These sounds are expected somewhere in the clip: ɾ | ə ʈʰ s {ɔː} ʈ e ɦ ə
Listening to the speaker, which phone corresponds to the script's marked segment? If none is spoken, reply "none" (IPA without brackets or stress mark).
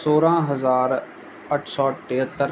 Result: ɔː